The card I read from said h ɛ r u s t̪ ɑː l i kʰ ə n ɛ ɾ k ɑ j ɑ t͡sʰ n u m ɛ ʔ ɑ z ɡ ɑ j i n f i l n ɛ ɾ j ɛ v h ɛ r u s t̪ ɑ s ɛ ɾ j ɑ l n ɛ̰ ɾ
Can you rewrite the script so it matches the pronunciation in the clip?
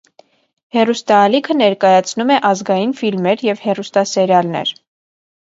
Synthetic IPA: h ɛ r u s t̪ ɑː l i kʰ ə n ɛ ɾ k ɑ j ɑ t͡sʰ n u m ɛ ʔ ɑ z ɡ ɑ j i n f i l m ɛ ɾ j ɛ v h ɛ r u s t̪ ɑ s ɛ ɾ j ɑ l n ɛ̰ ɾ

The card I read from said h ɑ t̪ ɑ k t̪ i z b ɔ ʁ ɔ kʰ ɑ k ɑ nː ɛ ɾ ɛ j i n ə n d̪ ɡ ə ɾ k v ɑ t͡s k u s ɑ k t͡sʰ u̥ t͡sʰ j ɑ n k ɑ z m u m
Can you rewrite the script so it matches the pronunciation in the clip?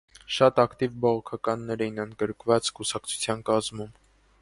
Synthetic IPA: ʃ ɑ t̪ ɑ k t̪ i v b ɔ ʁ ɔ kʰ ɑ k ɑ nː ɛ ɾ ɛ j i n ə n d̪ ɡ ə ɾ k v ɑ t͡s k u s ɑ k t͡sʰ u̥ t͡sʰ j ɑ n k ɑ z m u m

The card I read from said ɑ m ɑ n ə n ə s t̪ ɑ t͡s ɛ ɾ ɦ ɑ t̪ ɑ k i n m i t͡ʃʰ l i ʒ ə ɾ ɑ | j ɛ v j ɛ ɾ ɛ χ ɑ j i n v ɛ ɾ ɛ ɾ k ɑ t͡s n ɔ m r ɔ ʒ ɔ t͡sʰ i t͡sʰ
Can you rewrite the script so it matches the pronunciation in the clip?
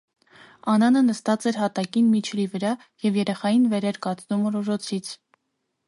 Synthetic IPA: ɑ n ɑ n ə n ə s t̪ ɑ t͡s ɛ ɾ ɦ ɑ t̪ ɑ k i n m i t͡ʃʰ l i v ə ɾ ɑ | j ɛ v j ɛ ɾ ɛ χ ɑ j i n v ɛ ɾ ɛ ɾ k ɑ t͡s n u m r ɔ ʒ ɔ t͡sʰ i t͡sʰ

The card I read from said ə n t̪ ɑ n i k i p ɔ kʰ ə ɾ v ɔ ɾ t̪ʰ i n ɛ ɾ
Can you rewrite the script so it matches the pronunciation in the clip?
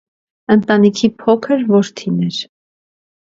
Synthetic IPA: ə n t̪ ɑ n i kʰ i pʰ ɔ kʰ ə ɾ v ɔ ɾ t̪ʰ i n ɛ ɾ

